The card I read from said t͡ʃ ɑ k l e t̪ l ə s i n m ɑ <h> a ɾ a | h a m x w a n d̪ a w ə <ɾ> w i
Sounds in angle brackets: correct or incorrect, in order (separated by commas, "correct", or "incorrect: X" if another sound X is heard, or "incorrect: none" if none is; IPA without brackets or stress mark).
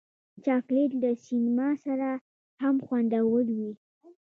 incorrect: s, incorrect: l